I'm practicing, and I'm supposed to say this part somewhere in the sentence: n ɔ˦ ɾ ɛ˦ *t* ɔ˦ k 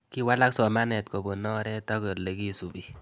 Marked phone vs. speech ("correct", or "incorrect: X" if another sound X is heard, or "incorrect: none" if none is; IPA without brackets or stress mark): correct